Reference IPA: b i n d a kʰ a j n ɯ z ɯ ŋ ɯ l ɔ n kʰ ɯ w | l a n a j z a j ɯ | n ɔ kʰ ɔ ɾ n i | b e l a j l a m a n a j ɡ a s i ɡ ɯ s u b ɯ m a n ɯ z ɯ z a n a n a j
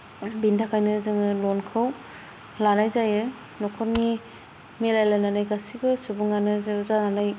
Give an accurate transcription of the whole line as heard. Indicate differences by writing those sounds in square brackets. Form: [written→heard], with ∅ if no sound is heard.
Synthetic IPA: b i n d a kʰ a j n ɯ z ɯ ŋ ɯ l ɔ n kʰ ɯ w | l a n a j z a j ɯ | n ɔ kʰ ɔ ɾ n i | [b→m] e l a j l a [m→n] a n a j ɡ a s i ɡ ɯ s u b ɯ [m→ŋ] a n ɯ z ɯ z a n a n a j